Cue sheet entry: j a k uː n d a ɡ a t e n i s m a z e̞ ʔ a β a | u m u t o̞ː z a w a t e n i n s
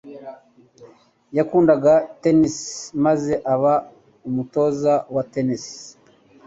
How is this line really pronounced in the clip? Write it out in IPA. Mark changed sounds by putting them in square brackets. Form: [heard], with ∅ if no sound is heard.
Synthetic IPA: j a k uː n d a ɡ a t e n i s m a z e̞ ʔ a β a | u m u t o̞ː z a w a t e n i [∅] s